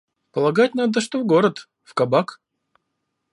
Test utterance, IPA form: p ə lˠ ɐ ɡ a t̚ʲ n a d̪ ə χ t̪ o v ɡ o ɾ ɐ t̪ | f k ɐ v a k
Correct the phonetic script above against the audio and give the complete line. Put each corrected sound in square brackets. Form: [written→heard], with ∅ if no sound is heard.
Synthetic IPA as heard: p ə lˠ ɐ ɡ a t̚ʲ n a d̪ ə [χ→ʂ] t̪ o v ɡ o ɾ [ɐ→ə] t̪ | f k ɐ [v→b] a k

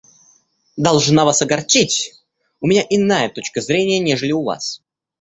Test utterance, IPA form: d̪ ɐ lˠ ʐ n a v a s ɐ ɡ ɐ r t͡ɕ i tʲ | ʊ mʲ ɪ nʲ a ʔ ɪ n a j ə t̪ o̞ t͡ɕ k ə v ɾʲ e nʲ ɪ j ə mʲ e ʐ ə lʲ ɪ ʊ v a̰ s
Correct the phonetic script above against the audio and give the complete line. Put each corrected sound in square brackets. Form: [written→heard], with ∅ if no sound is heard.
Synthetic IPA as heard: d̪ ɐ lˠ ʐ n a v a s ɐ ɡ ɐ r t͡ɕ i tʲ | ʊ mʲ ɪ nʲ a ʔ ɪ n a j ə t̪ o̞ t͡ɕ k ə [v→z] ɾʲ e nʲ ɪ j ə [mʲ→nʲ] e ʐ ə lʲ ɪ ʊ v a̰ s

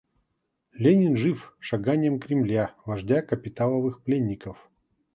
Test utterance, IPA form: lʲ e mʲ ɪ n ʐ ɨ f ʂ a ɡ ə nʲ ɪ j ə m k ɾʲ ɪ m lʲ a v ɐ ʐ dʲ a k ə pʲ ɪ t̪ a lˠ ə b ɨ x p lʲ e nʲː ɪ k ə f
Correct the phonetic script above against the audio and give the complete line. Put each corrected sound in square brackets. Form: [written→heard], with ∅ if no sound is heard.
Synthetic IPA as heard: lʲ e [mʲ→nʲ] ɪ n ʐ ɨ f ʂ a ɡ [ə→a] nʲ ɪ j ə m k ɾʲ ɪ m lʲ a v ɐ ʐ dʲ a k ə pʲ ɪ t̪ a lˠ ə [b→v] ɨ x p lʲ e nʲː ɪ k ə f

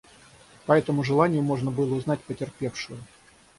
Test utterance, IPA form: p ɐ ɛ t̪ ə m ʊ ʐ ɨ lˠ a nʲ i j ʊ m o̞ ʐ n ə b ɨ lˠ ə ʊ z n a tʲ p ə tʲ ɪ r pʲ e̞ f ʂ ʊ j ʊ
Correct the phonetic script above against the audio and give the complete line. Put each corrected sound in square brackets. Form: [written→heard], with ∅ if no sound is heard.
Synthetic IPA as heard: p ɐ ɛ t̪ ə m ʊ ʐ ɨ lˠ a nʲ [i→ɪ] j ʊ m o̞ ʐ n ə b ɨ lˠ ə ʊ z n a tʲ p ə tʲ ɪ r pʲ e̞ f ʂ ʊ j ʊ

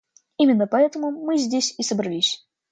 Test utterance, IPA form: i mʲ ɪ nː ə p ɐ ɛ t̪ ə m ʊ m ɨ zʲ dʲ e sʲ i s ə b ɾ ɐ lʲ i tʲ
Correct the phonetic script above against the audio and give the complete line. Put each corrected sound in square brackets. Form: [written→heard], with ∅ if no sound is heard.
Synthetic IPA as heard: i mʲ ɪ nː ə p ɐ ɛ t̪ ə m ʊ m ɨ zʲ dʲ e sʲ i s ə b ɾ ɐ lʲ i [tʲ→sʲ]

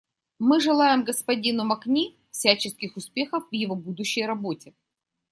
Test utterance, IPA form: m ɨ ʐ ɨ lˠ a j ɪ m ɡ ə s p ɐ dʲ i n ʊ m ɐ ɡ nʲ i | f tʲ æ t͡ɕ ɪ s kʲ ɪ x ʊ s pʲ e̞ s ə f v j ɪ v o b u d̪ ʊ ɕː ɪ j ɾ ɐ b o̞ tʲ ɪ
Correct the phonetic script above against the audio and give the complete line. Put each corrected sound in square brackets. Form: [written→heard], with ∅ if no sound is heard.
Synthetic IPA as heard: m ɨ ʐ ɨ lˠ a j ɪ m ɡ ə s p ɐ dʲ i n ʊ m ɐ [ɡ→k] nʲ i | f [tʲ→sʲ] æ t͡ɕ ɪ s kʲ ɪ x ʊ s pʲ e̞ [s→x] ə f v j ɪ v o b u d̪ ʊ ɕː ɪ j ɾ ɐ b o̞ tʲ ɪ

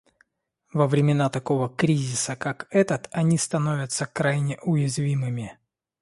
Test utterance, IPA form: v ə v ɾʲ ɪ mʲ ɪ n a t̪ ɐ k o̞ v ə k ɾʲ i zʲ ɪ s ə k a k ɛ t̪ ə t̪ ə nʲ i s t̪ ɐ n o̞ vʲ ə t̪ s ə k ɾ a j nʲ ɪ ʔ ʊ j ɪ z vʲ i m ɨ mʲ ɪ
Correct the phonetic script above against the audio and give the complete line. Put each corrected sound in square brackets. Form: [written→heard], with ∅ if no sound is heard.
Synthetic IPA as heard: v ə v ɾʲ ɪ mʲ ɪ n a t̪ ɐ k o̞ v ə k ɾʲ i zʲ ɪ s ə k a k ɛ t̪ ə t̪ [ə→ɐ] nʲ i s t̪ ɐ n o̞ vʲ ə t̪ s ə k ɾ a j nʲ ɪ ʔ ʊ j ɪ z vʲ i m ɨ mʲ ɪ

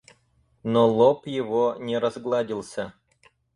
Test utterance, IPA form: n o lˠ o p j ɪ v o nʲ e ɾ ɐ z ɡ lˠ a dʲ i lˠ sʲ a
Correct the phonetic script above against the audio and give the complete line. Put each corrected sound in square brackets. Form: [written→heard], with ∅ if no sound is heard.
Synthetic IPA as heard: n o lˠ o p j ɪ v o nʲ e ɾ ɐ z ɡ lˠ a dʲ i lˠ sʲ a

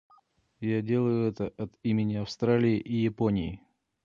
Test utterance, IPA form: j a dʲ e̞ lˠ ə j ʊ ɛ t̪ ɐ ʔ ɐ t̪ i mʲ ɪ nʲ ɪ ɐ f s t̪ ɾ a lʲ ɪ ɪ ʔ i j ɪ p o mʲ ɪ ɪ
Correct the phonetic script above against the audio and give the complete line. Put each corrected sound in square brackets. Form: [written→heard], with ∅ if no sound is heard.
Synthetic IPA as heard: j a dʲ e̞ lˠ ə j ʊ ɛ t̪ [ɐ→ə] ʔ ɐ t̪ i mʲ ɪ nʲ ɪ ɐ f s t̪ ɾ a lʲ ɪ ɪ ʔ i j ɪ p o [mʲ→nʲ] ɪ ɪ

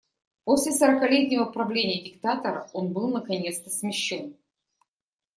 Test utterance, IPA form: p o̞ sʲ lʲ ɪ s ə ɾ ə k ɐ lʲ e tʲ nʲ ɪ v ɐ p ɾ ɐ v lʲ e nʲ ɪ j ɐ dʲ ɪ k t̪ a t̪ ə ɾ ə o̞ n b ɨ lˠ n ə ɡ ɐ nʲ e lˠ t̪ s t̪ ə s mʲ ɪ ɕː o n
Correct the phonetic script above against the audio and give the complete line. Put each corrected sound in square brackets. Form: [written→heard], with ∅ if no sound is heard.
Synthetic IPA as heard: p o̞ sʲ lʲ ɪ s ə ɾ ə k ɐ lʲ e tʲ nʲ ɪ v [ɐ→ə] p ɾ ɐ v lʲ e nʲ ɪ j [ɐ→ə] dʲ ɪ k t̪ a t̪ ə ɾ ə o̞ n b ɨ lˠ n ə [ɡ→k] ɐ nʲ e [lˠ→∅] t̪ s t̪ ə s mʲ ɪ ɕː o n

